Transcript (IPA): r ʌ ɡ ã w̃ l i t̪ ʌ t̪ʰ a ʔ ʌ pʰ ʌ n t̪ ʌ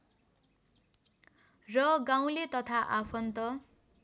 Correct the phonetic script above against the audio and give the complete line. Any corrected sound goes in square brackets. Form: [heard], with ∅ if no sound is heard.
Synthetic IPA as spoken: r ʌ ɡ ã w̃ l [e] t̪ ʌ t̪ʰ a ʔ [a] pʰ ʌ n t̪ ʌ

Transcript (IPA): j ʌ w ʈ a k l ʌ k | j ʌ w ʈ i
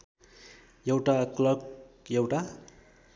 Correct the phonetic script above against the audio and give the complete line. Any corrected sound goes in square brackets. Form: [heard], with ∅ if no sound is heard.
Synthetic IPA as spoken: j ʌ w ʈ a k l ʌ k | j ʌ w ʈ [a]

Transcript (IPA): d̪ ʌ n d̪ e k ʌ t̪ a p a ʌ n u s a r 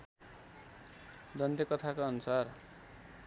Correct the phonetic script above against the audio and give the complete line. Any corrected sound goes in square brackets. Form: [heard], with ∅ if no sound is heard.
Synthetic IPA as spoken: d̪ ʌ n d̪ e k ʌ [t̪ʰ] a [k] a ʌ n u s a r

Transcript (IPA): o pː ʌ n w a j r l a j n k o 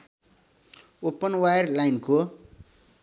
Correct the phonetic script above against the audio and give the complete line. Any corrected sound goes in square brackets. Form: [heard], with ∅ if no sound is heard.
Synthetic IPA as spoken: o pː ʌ n w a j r l a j n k o

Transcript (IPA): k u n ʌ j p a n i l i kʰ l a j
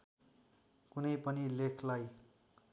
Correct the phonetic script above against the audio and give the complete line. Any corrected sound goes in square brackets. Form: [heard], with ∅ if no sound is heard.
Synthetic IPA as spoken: k u n ʌ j p [ʌ] n i l [e] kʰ l a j

